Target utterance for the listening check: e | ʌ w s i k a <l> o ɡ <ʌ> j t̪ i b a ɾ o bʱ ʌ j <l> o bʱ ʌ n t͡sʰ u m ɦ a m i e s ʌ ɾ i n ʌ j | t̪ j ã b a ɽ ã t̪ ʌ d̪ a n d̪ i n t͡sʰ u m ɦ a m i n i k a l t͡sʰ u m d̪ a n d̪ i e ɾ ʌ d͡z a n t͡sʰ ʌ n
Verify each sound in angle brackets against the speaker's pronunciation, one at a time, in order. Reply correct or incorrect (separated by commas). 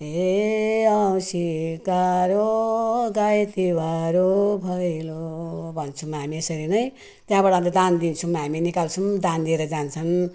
incorrect, incorrect, correct